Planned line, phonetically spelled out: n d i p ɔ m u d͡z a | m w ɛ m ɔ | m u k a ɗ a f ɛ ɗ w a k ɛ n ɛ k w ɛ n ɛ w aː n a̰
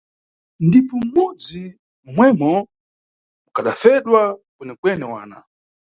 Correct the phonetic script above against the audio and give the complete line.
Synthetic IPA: n d i p ɔ m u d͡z i | m w ɛ m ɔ | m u k a ɗ a f ɛ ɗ w a k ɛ n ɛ k w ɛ n ɛ w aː n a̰